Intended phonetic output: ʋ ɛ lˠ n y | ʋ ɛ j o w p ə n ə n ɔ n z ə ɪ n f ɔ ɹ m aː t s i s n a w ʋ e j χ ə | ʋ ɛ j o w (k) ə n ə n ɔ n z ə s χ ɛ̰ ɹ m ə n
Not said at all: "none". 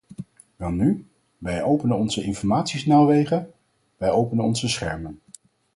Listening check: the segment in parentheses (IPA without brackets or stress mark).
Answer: p